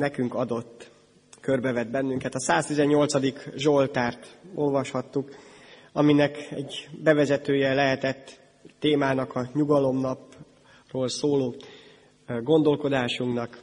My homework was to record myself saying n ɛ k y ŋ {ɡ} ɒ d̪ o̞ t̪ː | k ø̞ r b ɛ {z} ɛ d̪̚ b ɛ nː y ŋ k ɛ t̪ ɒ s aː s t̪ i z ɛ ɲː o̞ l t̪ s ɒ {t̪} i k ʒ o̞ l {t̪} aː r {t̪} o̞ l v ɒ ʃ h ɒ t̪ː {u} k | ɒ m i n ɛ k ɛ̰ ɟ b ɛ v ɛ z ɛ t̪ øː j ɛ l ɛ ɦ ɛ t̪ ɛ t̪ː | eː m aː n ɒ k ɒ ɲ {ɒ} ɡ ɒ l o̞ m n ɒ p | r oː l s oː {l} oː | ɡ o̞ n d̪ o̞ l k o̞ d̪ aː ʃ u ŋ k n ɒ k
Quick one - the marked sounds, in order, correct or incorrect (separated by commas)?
incorrect, incorrect, incorrect, correct, correct, correct, incorrect, correct